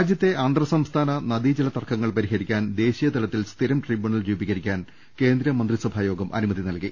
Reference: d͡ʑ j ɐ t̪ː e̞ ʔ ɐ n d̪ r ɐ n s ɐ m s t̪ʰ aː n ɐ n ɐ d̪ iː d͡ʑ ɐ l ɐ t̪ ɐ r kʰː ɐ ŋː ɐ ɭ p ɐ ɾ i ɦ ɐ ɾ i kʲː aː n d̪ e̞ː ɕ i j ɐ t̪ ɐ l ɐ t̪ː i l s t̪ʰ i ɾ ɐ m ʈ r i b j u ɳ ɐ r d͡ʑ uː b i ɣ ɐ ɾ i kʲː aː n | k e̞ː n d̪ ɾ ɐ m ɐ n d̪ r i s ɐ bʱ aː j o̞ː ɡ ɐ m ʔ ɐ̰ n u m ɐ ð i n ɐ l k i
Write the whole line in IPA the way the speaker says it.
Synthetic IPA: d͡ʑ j ɐ t̪ː e̞ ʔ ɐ n d̪ r ɐ s ɐ m s t̪ʰ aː n ɐ n ɐ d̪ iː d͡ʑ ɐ l ɐ t̪ ɐ r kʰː ɐ ŋː ɐ ɭ p ɐ ɾ i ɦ ɐ ɾ i kʲː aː n d̪ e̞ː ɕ i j ɐ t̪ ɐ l ɐ t̪ː i l s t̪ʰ i ɾ ɐ m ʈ r i b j u ɳ ɐ l d͡ʑ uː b i ɣ ɐ ɾ i kʲː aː n | k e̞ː n d̪ ɾ ɐ m ɐ n d̪ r i s ɐ bʱ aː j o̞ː ɡ ɐ m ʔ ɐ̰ n u m ɐ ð i n ɐ l k i